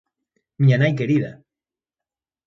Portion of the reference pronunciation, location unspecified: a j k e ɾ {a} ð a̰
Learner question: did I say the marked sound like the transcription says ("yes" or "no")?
no